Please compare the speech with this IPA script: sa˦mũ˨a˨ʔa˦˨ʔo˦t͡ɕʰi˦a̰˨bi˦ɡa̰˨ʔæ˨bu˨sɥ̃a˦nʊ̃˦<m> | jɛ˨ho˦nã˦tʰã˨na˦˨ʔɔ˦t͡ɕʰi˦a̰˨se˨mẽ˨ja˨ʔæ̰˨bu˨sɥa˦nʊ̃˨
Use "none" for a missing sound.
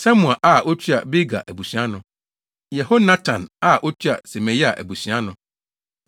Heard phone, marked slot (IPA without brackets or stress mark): none